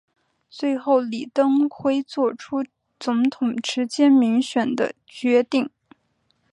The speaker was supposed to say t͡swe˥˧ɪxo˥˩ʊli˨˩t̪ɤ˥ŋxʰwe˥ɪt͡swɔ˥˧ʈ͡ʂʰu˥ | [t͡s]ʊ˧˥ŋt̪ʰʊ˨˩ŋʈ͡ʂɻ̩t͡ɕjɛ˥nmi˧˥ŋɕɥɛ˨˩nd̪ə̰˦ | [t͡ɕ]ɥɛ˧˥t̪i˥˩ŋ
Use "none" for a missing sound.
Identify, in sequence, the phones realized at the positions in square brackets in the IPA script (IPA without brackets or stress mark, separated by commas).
t͡s, t͡ɕ